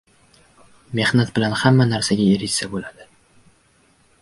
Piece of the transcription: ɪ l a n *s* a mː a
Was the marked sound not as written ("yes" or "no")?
yes